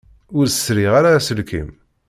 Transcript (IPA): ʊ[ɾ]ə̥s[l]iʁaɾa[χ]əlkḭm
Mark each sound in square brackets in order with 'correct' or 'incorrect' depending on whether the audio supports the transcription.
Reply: correct, incorrect: ɾ, incorrect: s

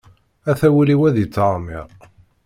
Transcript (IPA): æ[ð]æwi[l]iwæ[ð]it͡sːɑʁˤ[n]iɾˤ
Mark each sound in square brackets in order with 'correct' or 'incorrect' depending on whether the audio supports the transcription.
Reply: incorrect: θ, correct, correct, incorrect: m

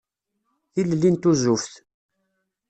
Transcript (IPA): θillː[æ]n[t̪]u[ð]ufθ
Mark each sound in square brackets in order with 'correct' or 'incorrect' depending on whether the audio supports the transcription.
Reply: incorrect: i, correct, incorrect: z

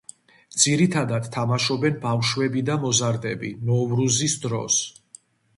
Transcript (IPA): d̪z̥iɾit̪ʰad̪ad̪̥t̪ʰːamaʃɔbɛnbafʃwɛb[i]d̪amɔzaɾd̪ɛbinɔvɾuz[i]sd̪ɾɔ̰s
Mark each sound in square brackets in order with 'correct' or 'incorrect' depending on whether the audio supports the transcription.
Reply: correct, correct

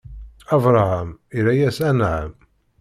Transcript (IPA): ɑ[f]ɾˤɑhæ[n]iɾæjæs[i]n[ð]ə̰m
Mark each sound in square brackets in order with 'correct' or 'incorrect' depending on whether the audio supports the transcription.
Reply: incorrect: v, incorrect: m, incorrect: æ, incorrect: ʕ

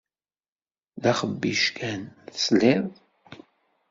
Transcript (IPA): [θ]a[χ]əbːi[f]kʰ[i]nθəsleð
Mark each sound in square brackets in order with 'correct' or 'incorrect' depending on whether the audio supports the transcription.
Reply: incorrect: ð, correct, incorrect: ʃ, incorrect: æ

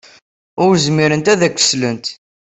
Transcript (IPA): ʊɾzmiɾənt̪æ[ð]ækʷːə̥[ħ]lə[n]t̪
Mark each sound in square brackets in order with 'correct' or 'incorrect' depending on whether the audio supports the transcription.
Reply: correct, incorrect: s, correct

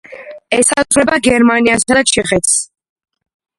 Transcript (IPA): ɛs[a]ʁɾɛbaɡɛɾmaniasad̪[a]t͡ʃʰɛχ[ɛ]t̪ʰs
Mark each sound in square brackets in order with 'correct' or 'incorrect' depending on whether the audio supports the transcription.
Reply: correct, correct, correct

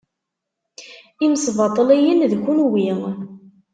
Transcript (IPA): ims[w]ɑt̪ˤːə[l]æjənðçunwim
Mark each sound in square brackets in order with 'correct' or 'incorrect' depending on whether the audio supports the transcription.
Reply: incorrect: v, correct

